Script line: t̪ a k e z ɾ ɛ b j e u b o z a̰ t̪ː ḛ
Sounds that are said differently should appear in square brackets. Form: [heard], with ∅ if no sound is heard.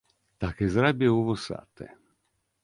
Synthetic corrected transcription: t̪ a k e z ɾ [a] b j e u [v] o [s] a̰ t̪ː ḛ